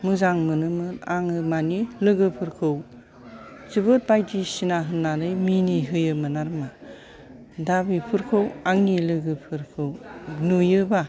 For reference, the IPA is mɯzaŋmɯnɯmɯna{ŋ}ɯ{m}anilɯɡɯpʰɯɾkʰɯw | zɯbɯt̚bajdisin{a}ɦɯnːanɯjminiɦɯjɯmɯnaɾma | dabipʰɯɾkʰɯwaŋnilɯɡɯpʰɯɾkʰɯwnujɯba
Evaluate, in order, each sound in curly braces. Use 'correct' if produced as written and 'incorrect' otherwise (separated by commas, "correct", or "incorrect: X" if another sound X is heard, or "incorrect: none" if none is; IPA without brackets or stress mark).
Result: correct, correct, correct